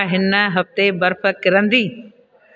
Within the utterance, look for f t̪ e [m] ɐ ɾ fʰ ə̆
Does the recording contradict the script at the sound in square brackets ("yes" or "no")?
yes